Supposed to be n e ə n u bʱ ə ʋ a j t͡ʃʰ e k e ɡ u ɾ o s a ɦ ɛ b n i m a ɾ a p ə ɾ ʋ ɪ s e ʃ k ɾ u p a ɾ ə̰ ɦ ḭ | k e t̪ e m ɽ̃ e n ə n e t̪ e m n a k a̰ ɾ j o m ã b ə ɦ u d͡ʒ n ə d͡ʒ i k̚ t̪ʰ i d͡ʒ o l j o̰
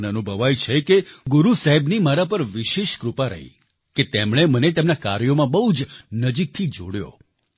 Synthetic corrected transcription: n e ə n u bʱ ə ʋ a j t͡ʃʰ e k e ɡ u ɾ u s a ɦ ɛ b n i m a ɾ a p ə ɾ ʋ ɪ ʃ e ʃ k ɾ u p a ɾ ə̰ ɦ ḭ | k e t̪ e m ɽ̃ e m ə n e t̪ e m n a k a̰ ɾ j o m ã b ə ɦ u d͡ʒ n ə d͡ʒ i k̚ t̪ʰ i d͡ʒ o ɽ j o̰

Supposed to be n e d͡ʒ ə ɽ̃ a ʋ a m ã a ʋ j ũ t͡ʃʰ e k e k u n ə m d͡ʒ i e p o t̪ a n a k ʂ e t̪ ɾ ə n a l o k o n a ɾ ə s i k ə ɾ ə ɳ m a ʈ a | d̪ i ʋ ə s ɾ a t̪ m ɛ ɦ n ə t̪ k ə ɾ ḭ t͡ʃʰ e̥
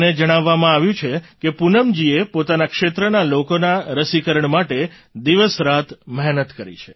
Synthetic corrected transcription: n e d͡ʒ ə ɽ̃ a ʋː a m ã a ʋ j ũ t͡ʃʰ e k e p u n ə m d͡ʒ i e p o t̪ a n a k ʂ e t̪ ɾ ə n a l o k o n a ɾ ə s i k ə ɾ ə ɳ m a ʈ e | d̪ i ʋ ə s ɾ a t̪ m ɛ ɦ n ə t̪ k ə ɾ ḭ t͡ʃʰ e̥

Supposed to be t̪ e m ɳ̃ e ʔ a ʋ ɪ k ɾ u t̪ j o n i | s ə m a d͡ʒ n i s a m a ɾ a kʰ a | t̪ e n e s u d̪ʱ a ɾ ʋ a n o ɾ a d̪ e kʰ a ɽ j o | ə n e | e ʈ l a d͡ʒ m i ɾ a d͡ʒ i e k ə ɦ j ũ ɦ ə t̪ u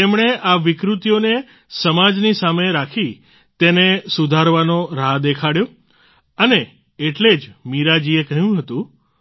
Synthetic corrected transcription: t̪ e m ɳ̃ e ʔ a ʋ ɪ k ɾ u t̪ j o n e | s ə m a d͡ʒ n i s a m e ɾ a kʰ i | t̪ e n e s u d̪ʱ a ɾ ʋ a n o ɾ a d̪ e kʰ a ɽ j o | ə n e | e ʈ l e d͡ʒ m i ɾ a d͡ʒ i e k ə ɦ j ũ ɦ ə t̪ ũ

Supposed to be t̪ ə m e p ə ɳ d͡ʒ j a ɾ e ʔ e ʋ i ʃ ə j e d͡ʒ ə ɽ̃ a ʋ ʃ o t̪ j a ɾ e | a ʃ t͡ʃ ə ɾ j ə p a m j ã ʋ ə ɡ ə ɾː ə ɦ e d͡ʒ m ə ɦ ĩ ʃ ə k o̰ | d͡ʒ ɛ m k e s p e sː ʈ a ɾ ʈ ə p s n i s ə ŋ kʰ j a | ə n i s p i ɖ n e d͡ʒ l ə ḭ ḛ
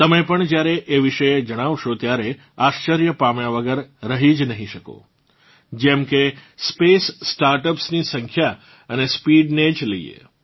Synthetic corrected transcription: t̪ ə m e p ə ɳ d͡ʒ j a ɾ e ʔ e ʋ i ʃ ə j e d͡ʒ ə ɽ̃ a ʋ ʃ o t̪ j a ɾ e | a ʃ t͡ʃ ə ɾ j ə p a m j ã ʋ ə ɡ ə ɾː ə ɦ i d͡ʒ n ə ɦ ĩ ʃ ə k o̰ | d͡ʒ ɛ m k e s p e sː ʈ a ɾ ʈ ə p s n i s ə ŋ kʰ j a | ə n e s p i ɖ n e d͡ʒ l ə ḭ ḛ

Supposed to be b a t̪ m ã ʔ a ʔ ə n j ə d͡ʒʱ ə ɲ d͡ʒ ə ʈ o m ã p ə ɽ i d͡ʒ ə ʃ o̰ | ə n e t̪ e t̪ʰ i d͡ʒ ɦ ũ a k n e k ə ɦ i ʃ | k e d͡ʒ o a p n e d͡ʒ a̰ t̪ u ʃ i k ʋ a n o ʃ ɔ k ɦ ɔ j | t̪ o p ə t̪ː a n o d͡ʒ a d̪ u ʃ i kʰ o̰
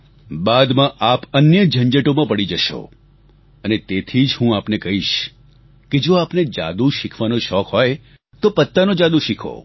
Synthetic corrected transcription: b a d̪ m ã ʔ a p ə n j ə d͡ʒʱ ə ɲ d͡ʒ ə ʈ o m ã p ə ɽ i d͡ʒ ə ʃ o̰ | ə n e t̪ e t̪ʰ i d͡ʒ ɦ ũ a p n e k ə ɦ i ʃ | k e d͡ʒ o a p n e d͡ʒ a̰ d̪ u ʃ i kʰ ʋ a n o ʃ ɔ k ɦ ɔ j | t̪ o p ə t̪ː a n o d͡ʒ a d̪ u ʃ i kʰ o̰

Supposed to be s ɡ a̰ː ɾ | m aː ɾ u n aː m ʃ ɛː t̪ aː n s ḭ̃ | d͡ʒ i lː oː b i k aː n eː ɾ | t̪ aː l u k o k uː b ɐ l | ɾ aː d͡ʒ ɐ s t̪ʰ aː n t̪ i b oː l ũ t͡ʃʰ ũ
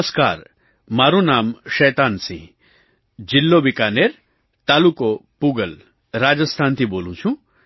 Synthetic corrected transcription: s k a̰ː ɾ | m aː ɾ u n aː m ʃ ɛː t̪ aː n s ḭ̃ | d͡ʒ i lː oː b i k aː n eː ɾ | t̪ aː l u k o p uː ɡ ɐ l | ɾ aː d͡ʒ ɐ s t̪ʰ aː n t̪ i b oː l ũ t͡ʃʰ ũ

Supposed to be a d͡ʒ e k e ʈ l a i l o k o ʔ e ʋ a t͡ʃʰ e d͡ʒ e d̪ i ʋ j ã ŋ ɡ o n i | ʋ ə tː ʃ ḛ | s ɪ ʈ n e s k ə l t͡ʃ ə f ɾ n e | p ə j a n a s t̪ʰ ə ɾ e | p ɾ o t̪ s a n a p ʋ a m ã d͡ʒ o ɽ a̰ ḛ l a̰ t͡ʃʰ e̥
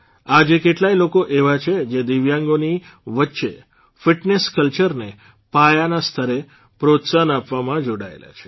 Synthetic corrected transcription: a d͡ʒ e k e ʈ l a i l o k o ʔ e ʋ a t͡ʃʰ e d͡ʒ e d̪ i ʋ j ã ŋ ɡ o n i | ʋ ə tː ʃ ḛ | f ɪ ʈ n e s k ə l t͡ʃ ə ɾ n e | p a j a n a s t̪ʰ ə ɾ e | p ɾ o t̪ s a n a p ʋ a m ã d͡ʒ o ɽ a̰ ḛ l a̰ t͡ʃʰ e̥

